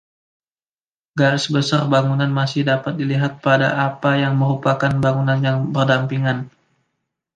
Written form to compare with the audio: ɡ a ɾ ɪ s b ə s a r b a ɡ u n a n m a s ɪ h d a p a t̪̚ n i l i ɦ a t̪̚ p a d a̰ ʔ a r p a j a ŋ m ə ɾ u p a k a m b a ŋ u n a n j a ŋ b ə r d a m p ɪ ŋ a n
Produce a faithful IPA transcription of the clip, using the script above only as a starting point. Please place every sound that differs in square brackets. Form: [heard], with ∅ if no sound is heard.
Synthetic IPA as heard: ɡ a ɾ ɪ s b ə s a r b a [ŋ] u n a n m a s ɪ h d a p a t̪̚ [d] i l i ɦ a t̪̚ p a d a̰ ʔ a [∅] p a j a ŋ m ə ɾ u p a k a [n] b a ŋ u n a n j a ŋ b ə r d a m p [i] ŋ a n